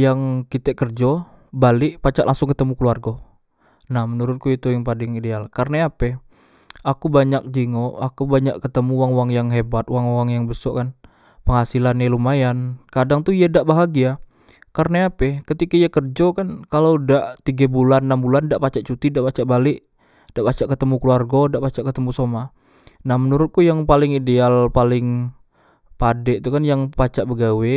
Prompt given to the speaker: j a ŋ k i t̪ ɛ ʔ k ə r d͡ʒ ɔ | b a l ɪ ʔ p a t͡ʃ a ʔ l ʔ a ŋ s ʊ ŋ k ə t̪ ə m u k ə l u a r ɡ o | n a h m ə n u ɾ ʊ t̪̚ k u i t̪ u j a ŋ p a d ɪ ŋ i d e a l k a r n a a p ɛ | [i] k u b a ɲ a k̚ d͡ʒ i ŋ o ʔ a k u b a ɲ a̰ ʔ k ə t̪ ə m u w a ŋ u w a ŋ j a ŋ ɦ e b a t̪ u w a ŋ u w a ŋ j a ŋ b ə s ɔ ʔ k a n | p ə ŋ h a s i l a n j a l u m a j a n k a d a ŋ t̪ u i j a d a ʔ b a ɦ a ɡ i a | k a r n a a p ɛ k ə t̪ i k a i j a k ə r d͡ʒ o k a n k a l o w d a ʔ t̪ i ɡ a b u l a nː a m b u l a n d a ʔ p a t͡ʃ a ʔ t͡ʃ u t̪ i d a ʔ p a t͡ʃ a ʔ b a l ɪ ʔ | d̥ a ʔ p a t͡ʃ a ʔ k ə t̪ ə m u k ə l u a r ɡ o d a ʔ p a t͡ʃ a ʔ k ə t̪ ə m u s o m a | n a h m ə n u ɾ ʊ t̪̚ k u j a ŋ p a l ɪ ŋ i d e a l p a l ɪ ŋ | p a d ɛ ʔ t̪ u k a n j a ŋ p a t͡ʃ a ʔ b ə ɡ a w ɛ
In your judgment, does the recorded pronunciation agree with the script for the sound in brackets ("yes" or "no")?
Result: no